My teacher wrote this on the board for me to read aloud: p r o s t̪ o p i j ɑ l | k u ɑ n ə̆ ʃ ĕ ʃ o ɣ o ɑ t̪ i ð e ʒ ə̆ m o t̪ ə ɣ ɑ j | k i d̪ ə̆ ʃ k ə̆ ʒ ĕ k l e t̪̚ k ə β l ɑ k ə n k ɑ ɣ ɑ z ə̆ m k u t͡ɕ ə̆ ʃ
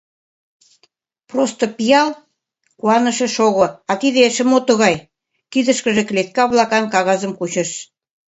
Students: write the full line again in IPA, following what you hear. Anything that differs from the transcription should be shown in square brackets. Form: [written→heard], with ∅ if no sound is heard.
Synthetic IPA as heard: p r o s t̪ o p i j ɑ l | k u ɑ n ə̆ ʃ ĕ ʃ o ɣ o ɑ t̪ i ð e [ʒ→ʃ] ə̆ m o t̪ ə ɣ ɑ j | k i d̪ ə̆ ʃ k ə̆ ʒ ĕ k l e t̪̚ k [ə→ɑ] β l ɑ k [ə→ɑ] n k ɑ ɣ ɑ z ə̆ m k u t͡ɕ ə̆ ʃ